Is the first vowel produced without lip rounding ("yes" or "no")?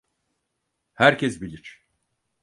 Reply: yes